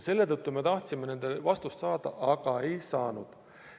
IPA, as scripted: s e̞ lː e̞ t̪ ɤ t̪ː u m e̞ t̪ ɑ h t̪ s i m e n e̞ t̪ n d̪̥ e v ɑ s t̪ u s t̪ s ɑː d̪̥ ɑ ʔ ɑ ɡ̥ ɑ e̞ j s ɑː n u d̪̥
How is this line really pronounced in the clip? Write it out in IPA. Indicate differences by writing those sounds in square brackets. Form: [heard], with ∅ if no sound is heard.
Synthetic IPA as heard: s e̞ lː e̞ t̪ ɤ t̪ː u m e̞ t̪ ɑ h t̪ s i m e n e̞ [∅] n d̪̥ e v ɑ s t̪ u s t̪ s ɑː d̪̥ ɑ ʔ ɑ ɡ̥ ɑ e̞ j s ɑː n u d̪̥